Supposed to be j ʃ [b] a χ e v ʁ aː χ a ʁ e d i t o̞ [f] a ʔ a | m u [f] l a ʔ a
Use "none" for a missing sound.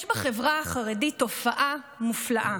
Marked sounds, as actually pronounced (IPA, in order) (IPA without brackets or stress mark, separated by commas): b, f, f